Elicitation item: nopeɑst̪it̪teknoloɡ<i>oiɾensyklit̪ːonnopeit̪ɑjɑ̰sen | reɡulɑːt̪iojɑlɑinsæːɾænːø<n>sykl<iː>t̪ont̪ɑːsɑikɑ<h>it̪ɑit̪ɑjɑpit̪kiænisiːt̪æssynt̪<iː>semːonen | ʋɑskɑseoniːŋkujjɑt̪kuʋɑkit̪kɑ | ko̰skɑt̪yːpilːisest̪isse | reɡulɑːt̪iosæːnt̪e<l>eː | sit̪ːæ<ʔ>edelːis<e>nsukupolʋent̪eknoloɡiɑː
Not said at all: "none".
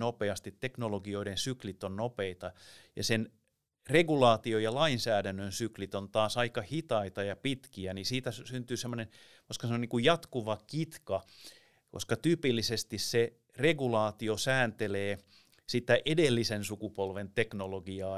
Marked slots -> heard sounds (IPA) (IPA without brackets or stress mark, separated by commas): i, n, i, h, yː, l, ʔ, e